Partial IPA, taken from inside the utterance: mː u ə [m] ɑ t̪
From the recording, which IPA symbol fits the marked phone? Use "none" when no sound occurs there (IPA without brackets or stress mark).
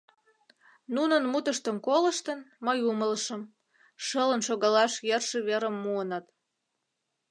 n